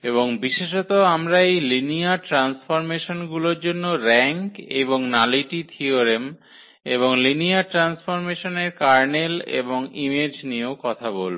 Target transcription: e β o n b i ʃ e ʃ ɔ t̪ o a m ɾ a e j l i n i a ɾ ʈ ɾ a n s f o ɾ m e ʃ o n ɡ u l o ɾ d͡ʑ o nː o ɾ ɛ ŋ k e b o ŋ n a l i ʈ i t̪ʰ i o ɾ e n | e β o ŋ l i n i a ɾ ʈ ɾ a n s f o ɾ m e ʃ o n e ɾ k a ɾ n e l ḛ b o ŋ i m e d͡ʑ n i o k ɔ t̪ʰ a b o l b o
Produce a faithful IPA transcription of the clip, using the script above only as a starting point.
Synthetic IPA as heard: e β o ŋ b i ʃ e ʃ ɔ t̪ o a m ɾ a e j l i n i a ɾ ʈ ɾ a n s f o ɾ m e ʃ o n ɡ u l o ɾ d͡ʑ o nː o ɾ ɛ ŋ k e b o ŋ n a l i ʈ i t̪ʰ i o ɾ e m | e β o ŋ l i n i a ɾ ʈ ɾ a n s f o ɾ m e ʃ o n e ɾ k a ɾ n e l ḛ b o ŋ i m e d͡ʑ n i o k ɔ t̪ʰ a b o l b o